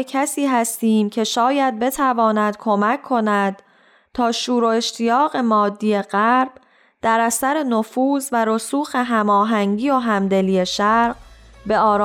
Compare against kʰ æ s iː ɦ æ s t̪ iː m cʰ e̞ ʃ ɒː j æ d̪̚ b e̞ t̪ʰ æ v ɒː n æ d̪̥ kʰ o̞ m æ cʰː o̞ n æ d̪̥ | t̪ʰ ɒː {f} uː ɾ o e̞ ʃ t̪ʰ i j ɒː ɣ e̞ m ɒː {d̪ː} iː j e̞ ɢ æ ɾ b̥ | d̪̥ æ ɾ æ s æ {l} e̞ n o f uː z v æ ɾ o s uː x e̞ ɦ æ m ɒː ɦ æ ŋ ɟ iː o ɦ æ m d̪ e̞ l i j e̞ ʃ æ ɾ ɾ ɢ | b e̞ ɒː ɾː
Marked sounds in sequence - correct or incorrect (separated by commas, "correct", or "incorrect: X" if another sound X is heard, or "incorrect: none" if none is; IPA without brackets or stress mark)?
incorrect: ʃ, correct, incorrect: ɾ